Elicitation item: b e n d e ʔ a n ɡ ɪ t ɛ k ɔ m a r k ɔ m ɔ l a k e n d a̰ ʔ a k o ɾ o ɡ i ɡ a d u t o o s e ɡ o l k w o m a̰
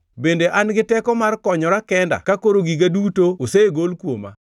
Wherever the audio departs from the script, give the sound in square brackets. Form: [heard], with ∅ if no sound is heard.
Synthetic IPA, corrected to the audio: b e n d e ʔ a n ɡ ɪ t ɛ k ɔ m a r k ɔ [ɲ] ɔ [ɾ] a k [ɛ] n d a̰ [k] a k o ɾ o ɡ i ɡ a d u t o o s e ɡ o l k w o m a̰